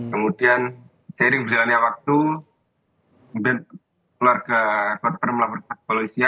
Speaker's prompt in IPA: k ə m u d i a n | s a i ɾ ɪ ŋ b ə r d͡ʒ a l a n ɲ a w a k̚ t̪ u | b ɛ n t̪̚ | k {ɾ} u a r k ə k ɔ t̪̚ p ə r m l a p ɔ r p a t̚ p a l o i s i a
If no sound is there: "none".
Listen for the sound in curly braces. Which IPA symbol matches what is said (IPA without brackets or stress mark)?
l